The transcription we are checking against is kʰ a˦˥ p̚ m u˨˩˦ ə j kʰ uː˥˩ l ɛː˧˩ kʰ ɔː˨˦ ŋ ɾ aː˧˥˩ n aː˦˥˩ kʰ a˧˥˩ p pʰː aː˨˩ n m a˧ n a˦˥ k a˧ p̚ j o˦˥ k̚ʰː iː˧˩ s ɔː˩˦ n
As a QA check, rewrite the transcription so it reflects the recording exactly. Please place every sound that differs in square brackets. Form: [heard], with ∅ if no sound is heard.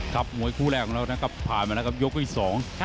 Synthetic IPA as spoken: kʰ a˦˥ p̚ m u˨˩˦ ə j kʰ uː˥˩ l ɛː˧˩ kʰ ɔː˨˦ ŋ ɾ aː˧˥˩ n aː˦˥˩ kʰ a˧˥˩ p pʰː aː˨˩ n m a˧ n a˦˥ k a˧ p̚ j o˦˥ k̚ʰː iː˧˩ s ɔː˩˦ [ŋ]